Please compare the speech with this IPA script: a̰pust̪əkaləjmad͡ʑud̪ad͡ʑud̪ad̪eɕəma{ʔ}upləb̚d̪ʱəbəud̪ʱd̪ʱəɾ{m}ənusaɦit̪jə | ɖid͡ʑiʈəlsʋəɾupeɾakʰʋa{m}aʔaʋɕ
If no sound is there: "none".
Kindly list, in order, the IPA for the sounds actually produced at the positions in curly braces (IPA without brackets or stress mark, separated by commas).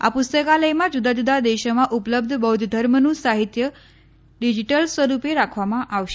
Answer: ʔ, m, m